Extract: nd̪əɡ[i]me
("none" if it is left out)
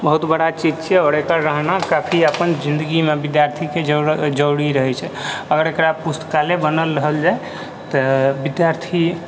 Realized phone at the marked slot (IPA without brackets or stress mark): i